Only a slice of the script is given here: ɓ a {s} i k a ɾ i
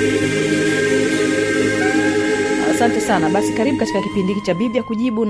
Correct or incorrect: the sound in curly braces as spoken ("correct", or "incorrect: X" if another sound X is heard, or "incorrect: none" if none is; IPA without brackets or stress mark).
correct